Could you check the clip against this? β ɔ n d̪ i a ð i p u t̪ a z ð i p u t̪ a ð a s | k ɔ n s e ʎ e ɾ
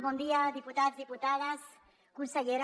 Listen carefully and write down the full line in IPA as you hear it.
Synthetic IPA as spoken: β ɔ n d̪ i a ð i p u t̪ a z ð i p u t̪ a ð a s | k u n s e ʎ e ɾ